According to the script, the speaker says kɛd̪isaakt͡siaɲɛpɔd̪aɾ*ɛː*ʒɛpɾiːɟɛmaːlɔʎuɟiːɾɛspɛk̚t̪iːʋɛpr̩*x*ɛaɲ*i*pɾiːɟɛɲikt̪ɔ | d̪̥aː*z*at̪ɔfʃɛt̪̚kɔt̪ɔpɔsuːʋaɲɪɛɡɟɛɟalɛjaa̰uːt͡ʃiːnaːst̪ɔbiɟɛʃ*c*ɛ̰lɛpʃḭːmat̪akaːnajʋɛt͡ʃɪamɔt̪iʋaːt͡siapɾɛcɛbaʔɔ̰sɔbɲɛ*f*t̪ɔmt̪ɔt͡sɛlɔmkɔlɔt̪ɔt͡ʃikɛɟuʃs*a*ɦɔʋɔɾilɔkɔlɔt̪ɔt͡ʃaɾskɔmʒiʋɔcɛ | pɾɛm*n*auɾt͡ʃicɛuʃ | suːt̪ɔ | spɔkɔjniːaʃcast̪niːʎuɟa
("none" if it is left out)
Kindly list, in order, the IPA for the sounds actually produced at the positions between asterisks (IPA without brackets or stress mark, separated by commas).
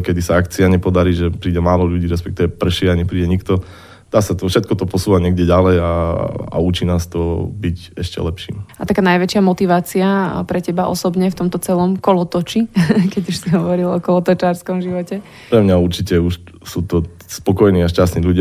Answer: iː, ʃ, ɛ, s, c, f, i, ɲ